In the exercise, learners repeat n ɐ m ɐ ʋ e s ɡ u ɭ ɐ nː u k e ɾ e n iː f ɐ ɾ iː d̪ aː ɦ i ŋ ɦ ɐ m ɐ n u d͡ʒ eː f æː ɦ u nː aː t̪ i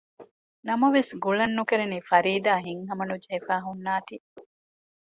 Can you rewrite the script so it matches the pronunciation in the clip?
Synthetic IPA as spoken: n ɐ m ɐ ʋ e s ɡ u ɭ ɐ nː u k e ɾ e n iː f ɐ ɾ iː d̪ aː ɦ i ŋ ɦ ɐ m ɐ n u d͡ʒ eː f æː ɦ u nː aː t̪ i